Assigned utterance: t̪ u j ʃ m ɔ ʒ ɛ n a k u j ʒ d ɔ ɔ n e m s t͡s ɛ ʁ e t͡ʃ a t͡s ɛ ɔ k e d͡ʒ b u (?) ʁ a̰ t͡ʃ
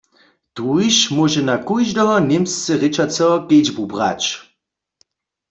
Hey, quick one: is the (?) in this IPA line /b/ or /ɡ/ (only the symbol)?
b